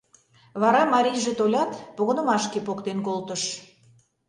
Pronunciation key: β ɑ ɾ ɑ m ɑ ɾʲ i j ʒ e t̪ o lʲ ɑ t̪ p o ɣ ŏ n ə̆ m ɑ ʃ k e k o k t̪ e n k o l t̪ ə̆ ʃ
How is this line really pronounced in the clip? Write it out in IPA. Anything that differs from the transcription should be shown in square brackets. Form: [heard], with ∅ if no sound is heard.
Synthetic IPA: β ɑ ɾ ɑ m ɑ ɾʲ i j ʒ e t̪ o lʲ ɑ t̪ p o ɣ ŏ n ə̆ m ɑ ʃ k e [p] o k t̪ e n k o l t̪ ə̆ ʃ